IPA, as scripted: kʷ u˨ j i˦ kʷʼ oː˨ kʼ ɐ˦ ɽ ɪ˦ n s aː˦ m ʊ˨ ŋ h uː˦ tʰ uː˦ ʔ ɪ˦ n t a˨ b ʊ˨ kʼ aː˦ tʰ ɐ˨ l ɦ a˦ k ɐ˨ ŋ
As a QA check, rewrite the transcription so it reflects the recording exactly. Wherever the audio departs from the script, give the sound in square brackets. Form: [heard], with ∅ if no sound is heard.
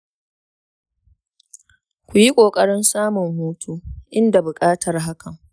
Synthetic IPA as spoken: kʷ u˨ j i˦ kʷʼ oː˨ kʼ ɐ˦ ɽ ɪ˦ n s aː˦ m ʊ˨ ŋ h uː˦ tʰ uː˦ ʔ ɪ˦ n [d] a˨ b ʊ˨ kʼ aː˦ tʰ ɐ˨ [r] ɦ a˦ k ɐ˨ ŋ

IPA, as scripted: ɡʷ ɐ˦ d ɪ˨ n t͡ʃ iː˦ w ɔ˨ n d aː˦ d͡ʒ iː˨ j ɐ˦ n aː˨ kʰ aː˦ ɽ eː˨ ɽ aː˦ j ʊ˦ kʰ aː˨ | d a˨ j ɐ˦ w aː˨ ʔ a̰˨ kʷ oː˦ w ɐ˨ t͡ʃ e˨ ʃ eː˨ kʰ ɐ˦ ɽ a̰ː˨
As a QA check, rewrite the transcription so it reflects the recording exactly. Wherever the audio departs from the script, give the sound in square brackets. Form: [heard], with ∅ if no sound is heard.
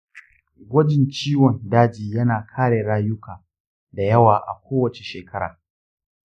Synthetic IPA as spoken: ɡʷ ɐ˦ [d͡ʒ] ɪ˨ n t͡ʃ iː˦ w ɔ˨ n d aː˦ d͡ʒ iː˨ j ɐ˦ n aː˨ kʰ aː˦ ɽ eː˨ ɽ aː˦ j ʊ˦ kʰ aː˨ | d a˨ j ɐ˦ w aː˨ ʔ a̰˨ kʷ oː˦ w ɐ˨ t͡ʃ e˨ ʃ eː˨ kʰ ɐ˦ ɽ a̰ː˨

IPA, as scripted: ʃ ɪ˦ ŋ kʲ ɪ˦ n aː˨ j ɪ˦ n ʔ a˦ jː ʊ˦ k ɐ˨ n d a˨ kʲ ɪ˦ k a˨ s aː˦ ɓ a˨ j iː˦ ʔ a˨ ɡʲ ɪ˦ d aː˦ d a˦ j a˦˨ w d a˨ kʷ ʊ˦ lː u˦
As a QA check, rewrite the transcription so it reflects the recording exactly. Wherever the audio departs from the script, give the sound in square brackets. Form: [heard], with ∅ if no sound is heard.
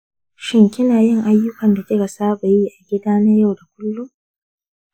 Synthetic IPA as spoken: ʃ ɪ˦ ŋ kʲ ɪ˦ n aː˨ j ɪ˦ [ŋ] ʔ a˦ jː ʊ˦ k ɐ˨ n d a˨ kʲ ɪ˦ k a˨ s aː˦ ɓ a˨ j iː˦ ʔ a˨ ɡʲ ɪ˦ d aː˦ [n] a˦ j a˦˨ w d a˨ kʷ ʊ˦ lː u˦

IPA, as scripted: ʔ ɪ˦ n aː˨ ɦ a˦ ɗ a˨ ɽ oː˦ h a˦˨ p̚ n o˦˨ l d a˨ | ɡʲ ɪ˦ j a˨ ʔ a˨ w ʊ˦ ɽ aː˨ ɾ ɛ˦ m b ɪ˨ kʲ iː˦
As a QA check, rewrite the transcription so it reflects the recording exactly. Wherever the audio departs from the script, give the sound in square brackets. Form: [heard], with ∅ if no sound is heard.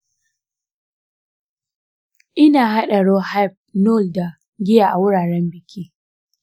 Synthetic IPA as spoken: ʔ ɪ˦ n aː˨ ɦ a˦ ɗ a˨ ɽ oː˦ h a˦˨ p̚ n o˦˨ l d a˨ | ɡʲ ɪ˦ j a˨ ʔ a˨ w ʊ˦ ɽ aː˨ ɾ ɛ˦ m b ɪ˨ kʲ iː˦

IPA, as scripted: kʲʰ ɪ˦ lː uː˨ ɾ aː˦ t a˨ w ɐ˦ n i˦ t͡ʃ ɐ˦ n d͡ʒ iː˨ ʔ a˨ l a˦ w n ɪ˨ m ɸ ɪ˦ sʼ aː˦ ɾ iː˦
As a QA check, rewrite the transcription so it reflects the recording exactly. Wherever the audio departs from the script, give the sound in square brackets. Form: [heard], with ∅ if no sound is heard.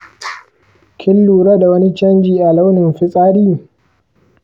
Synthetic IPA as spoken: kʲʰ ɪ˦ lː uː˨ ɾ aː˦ [d] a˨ w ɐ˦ n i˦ t͡ʃ ɐ˦ n d͡ʒ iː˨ ʔ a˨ l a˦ w n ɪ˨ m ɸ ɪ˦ sʼ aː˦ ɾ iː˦

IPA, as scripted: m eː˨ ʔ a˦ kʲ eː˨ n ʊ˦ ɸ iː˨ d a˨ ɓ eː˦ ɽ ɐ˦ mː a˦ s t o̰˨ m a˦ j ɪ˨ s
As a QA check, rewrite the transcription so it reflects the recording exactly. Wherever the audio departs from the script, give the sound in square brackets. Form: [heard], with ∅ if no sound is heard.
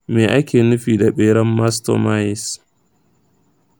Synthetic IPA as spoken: m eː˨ ʔ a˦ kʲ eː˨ n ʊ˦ ɸ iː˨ d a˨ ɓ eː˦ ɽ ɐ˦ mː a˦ s t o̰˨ m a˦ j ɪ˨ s

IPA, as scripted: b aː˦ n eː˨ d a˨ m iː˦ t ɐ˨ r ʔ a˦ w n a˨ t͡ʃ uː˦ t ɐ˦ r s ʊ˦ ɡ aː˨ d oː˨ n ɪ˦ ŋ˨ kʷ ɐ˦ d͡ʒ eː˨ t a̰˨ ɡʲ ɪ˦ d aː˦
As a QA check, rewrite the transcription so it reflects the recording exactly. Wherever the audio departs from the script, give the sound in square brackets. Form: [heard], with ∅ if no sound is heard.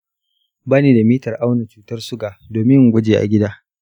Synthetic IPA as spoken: b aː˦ n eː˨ d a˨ m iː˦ t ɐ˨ r ʔ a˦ w n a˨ t͡ʃ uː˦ t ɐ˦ r s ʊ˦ ɡ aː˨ d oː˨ [m] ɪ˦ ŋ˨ [ɡʷ] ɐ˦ d͡ʒ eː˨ [ʔ] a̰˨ ɡʲ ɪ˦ d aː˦

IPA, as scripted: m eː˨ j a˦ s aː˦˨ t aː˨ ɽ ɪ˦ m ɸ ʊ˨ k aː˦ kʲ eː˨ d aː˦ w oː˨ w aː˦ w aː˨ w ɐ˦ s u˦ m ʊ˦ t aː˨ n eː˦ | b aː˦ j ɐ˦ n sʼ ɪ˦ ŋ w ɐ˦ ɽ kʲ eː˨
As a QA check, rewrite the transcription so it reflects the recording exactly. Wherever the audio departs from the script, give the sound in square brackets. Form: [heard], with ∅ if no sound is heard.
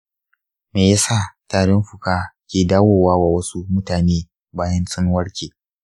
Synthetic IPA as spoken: m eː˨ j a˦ s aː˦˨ t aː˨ ɽ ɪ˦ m ɸ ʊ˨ k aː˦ kʲ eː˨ d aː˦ w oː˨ w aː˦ w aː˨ w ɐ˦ s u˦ m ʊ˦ t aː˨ n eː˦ | b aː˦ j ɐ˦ n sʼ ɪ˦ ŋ w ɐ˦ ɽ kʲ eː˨

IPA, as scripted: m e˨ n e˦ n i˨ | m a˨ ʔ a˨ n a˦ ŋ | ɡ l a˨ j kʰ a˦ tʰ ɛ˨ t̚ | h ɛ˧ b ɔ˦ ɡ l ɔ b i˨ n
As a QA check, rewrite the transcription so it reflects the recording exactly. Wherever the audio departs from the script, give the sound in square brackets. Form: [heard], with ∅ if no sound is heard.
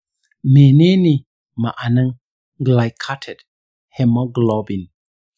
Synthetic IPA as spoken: m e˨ n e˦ n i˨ | m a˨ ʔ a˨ n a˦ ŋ | ɡ l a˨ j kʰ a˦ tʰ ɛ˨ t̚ | h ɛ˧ [m] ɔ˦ ɡ l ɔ b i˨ n

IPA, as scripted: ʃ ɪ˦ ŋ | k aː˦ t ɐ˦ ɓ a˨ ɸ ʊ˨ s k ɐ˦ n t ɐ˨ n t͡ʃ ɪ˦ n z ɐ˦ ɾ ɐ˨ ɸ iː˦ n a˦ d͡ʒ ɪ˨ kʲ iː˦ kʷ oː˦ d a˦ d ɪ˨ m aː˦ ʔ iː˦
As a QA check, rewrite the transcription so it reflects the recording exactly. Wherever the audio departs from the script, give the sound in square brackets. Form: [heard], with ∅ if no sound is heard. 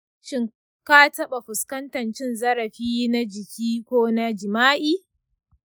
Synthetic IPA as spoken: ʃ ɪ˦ ŋ | k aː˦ t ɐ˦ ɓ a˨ ɸ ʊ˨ s k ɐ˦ n t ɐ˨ n t͡ʃ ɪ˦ n z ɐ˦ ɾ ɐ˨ ɸ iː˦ n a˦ d͡ʒ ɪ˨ kʲ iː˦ kʷ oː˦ [n] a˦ [d͡ʒ] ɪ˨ m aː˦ ʔ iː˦

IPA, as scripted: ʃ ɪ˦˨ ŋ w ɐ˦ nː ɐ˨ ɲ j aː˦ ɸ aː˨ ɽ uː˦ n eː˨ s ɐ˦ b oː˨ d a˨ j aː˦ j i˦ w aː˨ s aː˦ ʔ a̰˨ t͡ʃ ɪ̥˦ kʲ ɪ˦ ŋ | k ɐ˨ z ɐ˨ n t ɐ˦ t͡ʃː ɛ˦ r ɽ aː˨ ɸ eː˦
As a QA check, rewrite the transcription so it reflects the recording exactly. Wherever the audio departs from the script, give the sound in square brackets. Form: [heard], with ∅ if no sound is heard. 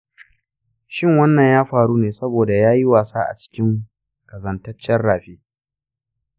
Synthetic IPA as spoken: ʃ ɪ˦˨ ŋ w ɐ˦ nː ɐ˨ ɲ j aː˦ ɸ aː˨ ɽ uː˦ n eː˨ s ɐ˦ b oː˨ d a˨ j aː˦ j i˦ w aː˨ s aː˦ ʔ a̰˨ t͡ʃ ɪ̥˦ kʲ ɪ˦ ŋ | k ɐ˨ z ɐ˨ n t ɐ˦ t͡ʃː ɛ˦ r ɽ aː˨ ɸ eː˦

